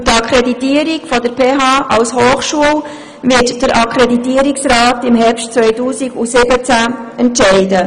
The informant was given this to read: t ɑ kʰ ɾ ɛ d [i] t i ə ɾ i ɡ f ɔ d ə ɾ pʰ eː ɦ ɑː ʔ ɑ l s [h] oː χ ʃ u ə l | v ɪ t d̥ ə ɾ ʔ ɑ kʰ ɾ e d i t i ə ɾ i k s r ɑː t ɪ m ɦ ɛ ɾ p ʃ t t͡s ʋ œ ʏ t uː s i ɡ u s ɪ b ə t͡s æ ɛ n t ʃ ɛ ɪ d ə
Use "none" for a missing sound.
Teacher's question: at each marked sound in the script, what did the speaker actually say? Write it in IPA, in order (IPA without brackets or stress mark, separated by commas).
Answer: i, h